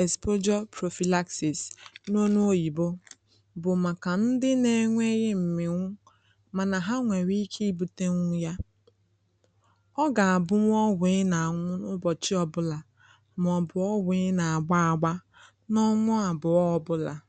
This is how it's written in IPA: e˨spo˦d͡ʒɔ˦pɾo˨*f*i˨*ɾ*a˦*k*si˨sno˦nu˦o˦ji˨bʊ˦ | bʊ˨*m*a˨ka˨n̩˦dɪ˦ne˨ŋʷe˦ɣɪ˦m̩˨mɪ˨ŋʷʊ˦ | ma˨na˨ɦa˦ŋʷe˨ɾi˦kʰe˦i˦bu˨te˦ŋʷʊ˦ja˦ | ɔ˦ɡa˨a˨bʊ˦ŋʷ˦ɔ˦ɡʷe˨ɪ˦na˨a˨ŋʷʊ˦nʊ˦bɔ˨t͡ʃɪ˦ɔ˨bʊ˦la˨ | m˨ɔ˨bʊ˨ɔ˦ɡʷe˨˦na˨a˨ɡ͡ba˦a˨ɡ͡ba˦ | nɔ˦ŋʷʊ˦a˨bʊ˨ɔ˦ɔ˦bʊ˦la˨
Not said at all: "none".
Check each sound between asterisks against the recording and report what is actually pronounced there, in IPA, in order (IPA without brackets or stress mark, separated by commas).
f, l, k, m